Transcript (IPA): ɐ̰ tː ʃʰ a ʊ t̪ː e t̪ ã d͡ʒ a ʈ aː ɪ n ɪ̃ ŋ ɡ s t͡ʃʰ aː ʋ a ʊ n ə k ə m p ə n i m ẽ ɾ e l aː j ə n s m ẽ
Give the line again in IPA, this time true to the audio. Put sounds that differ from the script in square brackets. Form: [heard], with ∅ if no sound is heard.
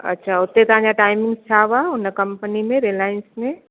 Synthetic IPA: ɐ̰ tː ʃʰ a ʊ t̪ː e t̪ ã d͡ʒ a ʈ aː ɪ [m] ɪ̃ ŋ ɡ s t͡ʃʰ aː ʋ a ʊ n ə k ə m p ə n i m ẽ ɾ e l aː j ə n s m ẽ